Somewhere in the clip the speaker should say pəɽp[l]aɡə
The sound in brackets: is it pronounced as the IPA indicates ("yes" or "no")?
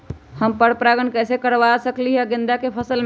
no